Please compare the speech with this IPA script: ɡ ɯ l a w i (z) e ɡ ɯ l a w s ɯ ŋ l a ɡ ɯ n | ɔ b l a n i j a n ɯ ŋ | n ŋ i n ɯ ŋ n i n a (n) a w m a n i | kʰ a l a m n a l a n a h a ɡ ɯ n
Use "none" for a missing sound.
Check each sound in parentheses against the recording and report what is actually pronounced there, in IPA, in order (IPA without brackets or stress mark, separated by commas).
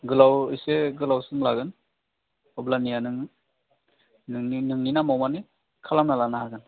s, m